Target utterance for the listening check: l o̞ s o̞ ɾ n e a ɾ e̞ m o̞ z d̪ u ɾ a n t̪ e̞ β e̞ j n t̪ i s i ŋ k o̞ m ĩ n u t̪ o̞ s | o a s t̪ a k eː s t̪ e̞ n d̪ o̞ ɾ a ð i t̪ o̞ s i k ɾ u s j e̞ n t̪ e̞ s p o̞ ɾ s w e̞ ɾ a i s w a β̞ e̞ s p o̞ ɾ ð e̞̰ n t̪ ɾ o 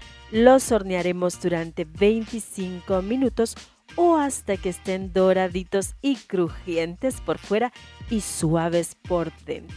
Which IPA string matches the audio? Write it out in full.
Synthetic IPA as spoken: l o̞ s o̞ ɾ n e a ɾ e̞ m o̞ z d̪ u ɾ a n t̪ e̞ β e̞ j n t̪ i s i ŋ k o̞ m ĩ n u t̪ o̞ s | o a s t̪ a k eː s t̪ e̞ n d̪ o̞ ɾ a ð i t̪ o̞ s i k ɾ u x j e̞ n t̪ e̞ s p o̞ ɾ f w e̞ ɾ a i s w a β̞ e̞ s p o̞ ɾ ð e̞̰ n t̪ ɾ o